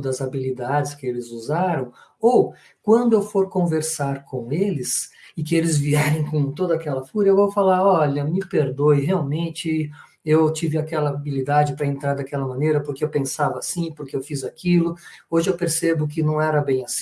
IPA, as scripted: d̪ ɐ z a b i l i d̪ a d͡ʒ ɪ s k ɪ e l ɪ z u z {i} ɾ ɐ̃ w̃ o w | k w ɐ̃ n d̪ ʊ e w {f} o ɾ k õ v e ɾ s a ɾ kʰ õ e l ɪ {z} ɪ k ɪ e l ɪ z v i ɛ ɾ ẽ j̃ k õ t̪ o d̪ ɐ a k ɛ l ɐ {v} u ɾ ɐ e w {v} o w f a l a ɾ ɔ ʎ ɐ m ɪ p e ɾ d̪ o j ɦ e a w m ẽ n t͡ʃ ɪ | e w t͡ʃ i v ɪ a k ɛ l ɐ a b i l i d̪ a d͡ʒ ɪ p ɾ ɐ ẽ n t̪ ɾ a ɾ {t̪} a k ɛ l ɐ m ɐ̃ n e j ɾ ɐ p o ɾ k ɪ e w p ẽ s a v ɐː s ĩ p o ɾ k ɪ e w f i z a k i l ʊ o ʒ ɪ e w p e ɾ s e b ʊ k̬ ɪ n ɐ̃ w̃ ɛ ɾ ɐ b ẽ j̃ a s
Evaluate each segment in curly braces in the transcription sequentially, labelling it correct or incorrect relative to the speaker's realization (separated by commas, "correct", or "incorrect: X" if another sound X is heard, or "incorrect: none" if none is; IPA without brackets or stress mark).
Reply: incorrect: a, correct, incorrect: s, incorrect: f, correct, incorrect: d̪